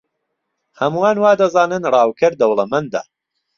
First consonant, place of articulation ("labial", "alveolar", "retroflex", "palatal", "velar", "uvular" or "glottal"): glottal